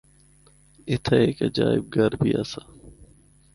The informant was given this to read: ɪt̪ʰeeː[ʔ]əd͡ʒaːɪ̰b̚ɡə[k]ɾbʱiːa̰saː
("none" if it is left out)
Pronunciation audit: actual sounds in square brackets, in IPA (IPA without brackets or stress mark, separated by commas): k, none